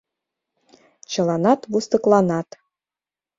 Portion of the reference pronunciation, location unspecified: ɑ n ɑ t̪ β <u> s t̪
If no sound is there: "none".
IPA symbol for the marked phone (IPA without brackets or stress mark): u